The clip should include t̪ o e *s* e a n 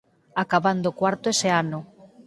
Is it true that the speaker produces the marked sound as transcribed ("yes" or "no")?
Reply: yes